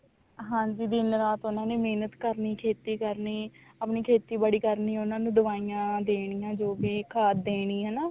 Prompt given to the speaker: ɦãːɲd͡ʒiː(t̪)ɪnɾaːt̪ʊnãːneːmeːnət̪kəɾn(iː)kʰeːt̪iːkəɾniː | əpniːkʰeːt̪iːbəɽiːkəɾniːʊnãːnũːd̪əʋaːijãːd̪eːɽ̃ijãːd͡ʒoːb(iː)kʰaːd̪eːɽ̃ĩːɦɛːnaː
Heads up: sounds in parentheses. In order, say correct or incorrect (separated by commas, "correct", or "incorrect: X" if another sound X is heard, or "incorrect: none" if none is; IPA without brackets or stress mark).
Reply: incorrect: d̪, correct, correct